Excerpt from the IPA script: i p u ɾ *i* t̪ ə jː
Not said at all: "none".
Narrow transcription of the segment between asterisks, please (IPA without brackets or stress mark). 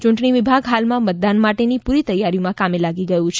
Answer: i